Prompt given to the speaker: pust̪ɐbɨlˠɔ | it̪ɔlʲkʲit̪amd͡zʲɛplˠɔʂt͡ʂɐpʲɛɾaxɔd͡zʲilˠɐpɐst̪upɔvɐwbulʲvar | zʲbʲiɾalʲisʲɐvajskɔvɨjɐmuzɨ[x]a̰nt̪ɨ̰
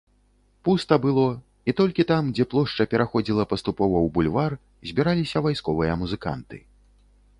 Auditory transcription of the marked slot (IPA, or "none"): k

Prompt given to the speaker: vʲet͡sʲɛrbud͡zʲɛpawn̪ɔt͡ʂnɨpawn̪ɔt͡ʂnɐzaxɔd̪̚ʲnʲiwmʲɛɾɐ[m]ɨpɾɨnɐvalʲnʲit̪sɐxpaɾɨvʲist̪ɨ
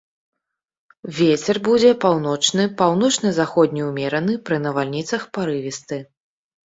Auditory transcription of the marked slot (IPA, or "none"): n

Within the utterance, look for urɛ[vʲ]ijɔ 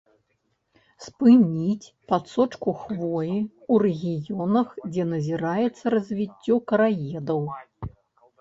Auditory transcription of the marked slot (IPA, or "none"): ɣʲ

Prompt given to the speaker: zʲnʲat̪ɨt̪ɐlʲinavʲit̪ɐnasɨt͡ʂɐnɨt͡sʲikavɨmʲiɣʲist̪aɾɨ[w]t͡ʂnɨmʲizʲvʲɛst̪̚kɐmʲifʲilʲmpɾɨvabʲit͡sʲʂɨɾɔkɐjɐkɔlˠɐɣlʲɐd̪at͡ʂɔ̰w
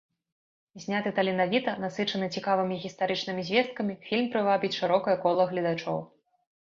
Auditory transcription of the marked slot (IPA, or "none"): none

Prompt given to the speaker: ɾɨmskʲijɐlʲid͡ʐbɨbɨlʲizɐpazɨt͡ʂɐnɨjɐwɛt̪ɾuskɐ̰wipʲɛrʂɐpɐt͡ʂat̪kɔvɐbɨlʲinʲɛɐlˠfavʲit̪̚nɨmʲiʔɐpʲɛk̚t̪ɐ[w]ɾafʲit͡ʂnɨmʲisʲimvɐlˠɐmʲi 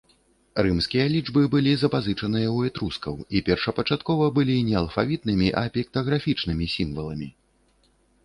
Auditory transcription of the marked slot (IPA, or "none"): ɣ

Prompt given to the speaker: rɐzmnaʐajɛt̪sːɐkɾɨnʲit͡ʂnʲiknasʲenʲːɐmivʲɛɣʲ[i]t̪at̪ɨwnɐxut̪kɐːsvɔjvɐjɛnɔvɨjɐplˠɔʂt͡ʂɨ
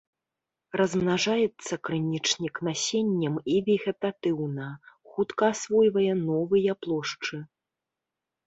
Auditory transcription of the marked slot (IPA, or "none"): ɛ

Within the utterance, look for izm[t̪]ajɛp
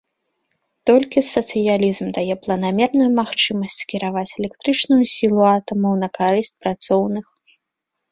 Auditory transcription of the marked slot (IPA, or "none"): d̪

